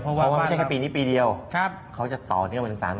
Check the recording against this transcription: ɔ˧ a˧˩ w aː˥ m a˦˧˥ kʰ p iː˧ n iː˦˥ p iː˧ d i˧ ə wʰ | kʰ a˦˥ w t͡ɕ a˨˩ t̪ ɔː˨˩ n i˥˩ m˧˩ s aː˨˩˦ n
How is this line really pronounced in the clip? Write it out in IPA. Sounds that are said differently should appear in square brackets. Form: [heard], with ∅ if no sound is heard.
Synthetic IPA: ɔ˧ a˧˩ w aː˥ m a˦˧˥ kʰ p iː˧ n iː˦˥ p iː˧ d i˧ ə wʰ | kʰ a˦˥ w t͡ɕ a˨˩ t̪ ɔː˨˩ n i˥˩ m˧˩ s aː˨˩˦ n